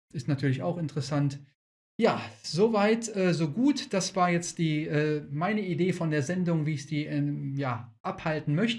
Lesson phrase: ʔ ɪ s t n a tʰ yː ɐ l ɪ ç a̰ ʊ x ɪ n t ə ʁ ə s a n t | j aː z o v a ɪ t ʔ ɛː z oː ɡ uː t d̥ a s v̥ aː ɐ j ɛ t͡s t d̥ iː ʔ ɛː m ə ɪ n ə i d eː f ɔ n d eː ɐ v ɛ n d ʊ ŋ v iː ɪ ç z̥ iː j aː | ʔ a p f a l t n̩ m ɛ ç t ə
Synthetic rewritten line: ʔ ɪ s t n a tʰ yː ɐ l ɪ ç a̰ ʊ x ɪ n t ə ʁ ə s a n t | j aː z o v a ɪ t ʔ ɛː z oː ɡ uː t d̥ a s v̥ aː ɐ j ɛ t͡s t d̥ iː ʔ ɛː m a ɪ n ə i d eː f ɔ n d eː ɐ z ɛ n d ʊ ŋ v iː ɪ ç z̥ iː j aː | ʔ a p h a l t n̩ m œ ç t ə